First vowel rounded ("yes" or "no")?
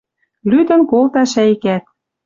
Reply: yes